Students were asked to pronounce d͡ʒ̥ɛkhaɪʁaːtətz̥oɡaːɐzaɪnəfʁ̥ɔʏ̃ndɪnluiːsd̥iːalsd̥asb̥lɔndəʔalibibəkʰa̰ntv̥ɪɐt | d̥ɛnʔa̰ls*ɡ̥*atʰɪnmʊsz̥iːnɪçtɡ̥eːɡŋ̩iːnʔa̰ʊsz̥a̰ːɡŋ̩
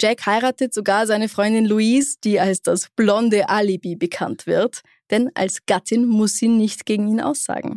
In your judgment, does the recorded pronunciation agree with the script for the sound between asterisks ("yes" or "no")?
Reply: yes